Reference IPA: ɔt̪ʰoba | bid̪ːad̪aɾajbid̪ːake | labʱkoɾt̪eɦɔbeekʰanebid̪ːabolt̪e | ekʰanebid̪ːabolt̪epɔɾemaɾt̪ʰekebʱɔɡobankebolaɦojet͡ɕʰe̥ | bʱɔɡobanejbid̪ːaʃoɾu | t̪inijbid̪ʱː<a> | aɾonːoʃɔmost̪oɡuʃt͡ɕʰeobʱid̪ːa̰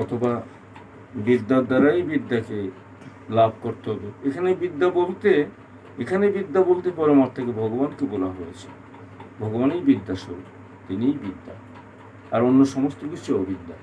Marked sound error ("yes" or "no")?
no